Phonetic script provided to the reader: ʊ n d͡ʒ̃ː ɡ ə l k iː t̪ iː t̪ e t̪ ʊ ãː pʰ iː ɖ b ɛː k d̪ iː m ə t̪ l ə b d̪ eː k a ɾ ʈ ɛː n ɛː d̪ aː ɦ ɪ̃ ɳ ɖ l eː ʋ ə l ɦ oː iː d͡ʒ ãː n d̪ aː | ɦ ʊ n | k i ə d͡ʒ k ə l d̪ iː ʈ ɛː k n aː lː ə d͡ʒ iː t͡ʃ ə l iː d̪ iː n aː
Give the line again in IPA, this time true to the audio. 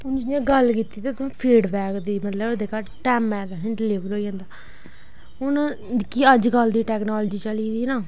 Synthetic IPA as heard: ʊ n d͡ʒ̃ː ɡ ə l k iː t̪ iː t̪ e t̪ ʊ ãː pʰ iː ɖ b ɛː k d̪ iː m ə t̪ l ə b d̪ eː k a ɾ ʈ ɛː m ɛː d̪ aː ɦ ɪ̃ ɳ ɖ l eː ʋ ə l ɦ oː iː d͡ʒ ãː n d̪ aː | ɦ ʊ n | k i ə d͡ʒ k ə l d̪ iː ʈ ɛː k n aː l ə d͡ʒ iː t͡ʃ ə l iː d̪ iː n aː